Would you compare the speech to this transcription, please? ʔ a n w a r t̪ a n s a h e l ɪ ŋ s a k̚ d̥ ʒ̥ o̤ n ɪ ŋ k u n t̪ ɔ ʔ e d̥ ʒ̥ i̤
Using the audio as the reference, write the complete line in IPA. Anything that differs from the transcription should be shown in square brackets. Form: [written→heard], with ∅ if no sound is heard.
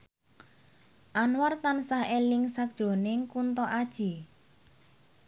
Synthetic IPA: ʔ a n w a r t̪ a n s a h e l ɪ ŋ s a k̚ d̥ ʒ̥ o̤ n ɪ ŋ k u n t̪ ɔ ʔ [e→a] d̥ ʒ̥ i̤